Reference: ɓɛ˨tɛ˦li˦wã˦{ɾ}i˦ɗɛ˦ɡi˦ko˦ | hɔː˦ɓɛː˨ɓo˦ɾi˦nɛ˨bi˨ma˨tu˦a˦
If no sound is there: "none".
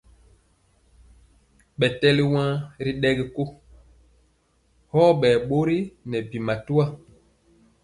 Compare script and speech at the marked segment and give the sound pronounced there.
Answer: ɾ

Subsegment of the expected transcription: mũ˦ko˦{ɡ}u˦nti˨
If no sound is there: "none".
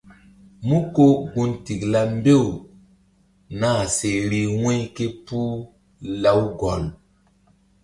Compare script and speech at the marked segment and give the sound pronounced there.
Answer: ɡ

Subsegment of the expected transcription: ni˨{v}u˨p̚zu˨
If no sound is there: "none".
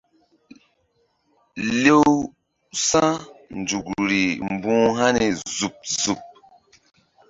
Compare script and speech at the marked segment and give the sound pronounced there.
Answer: z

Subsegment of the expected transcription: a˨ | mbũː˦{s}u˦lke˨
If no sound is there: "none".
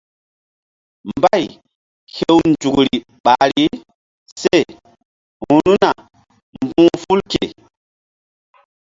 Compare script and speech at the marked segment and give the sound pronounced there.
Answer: f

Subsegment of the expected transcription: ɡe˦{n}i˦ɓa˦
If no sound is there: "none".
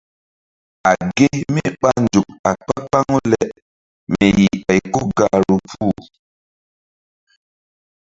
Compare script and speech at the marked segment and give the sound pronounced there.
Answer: m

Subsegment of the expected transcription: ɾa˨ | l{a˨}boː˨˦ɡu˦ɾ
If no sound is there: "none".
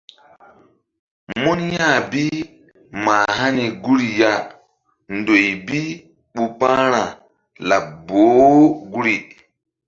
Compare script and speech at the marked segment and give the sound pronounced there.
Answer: a˨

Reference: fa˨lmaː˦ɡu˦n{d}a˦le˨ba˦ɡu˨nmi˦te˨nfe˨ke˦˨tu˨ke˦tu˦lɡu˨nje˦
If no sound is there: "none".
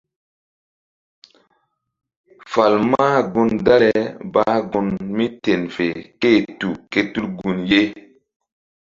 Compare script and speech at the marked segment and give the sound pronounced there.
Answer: d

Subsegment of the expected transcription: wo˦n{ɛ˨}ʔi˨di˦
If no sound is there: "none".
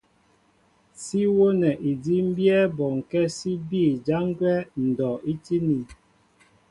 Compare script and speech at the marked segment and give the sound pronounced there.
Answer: ɛ˨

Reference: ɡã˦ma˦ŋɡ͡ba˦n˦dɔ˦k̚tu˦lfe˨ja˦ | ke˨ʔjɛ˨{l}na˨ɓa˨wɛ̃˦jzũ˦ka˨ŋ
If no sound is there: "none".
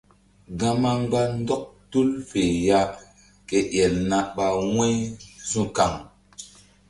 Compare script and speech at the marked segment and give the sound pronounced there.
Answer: l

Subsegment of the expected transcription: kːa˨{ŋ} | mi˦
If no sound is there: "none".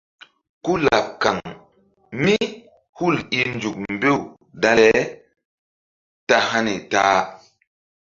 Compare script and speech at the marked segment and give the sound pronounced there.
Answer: ŋ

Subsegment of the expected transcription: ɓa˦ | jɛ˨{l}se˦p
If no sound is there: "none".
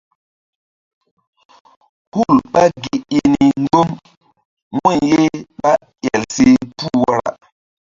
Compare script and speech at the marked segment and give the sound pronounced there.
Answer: l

